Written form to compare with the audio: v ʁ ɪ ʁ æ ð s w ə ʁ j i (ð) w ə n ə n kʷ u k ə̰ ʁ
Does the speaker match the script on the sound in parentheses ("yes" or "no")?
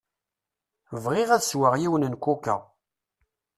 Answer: no